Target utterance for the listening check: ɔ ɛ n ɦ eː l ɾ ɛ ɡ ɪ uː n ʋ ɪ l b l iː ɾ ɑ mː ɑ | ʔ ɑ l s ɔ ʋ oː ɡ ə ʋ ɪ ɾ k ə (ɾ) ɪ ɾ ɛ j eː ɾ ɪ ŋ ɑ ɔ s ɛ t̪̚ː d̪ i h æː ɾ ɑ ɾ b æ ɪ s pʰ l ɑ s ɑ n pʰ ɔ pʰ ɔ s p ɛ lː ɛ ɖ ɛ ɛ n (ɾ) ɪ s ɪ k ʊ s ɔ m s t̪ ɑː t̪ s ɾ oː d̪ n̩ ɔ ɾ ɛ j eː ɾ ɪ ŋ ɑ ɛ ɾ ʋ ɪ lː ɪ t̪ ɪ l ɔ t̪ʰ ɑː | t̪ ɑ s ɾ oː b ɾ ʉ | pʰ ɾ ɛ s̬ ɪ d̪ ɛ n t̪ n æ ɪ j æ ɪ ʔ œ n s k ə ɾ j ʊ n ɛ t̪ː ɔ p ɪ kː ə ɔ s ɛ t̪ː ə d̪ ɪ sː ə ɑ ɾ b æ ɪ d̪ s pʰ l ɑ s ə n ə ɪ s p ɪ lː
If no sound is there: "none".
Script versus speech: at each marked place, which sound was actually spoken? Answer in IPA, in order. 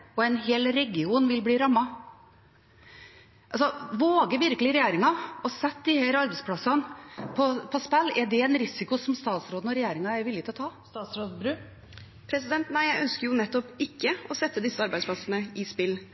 l, ɾ

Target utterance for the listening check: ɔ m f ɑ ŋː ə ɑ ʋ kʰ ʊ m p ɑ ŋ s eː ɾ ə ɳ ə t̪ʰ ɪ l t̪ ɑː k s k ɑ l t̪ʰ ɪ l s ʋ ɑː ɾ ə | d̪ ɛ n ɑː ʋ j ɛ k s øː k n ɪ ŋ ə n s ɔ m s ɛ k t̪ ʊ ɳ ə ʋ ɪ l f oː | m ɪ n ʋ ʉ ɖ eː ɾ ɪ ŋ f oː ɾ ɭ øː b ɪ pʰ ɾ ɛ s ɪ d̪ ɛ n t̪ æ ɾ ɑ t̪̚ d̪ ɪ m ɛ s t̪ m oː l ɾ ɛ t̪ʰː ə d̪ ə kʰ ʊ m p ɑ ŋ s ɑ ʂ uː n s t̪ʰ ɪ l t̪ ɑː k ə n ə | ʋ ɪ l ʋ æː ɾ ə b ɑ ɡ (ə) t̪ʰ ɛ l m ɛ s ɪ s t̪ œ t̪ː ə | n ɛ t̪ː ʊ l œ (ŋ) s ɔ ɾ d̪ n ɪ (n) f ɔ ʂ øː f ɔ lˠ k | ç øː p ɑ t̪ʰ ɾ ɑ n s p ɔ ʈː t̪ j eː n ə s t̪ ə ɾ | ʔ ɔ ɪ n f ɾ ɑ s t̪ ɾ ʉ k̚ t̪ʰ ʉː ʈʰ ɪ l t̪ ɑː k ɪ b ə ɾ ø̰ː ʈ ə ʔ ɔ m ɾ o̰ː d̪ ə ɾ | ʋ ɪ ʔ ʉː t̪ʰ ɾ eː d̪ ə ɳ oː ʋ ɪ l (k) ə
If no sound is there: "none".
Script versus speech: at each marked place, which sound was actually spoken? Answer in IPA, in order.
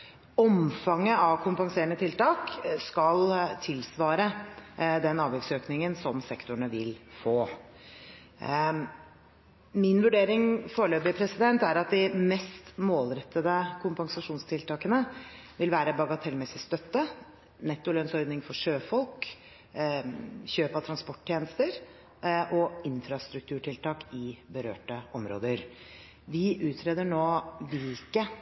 ɑ, n, ŋ, k

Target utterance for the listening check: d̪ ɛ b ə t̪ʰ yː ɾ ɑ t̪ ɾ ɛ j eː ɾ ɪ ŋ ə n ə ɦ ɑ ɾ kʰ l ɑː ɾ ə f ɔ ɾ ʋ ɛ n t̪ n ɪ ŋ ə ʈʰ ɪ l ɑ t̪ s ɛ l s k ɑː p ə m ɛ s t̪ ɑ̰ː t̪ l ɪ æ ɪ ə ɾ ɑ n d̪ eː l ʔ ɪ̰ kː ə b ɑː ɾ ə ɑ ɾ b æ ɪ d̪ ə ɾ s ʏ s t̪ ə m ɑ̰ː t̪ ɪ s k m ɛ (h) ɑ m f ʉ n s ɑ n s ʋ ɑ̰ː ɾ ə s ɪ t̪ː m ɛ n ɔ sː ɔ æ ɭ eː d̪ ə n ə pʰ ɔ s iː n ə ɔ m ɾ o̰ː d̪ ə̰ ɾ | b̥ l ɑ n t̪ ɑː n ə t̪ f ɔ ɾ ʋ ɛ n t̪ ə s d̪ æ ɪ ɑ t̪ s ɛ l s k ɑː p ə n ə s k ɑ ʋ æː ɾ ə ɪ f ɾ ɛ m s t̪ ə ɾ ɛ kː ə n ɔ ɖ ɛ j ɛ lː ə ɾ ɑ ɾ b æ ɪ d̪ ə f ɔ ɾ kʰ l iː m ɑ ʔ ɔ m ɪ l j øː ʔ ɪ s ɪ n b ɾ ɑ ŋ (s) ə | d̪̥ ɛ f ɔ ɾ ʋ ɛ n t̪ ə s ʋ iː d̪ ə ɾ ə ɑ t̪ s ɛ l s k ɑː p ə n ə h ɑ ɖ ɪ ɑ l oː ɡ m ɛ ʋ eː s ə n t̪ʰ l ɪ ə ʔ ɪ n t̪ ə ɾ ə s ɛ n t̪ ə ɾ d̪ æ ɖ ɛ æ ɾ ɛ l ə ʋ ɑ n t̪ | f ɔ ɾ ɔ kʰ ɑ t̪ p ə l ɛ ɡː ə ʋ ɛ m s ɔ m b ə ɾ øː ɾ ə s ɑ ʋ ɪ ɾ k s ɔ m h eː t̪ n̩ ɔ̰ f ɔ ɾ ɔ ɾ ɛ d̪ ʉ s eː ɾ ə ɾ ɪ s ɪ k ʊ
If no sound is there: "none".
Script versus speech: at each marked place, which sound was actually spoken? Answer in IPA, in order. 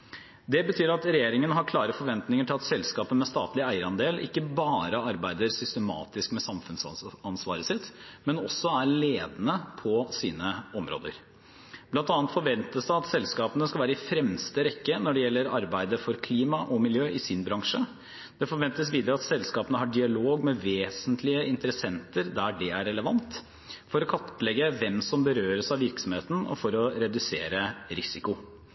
s, ʂ

